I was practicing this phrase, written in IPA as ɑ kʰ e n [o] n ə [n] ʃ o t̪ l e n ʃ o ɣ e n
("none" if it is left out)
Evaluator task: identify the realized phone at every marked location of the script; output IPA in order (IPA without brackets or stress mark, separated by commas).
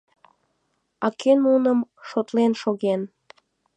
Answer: u, m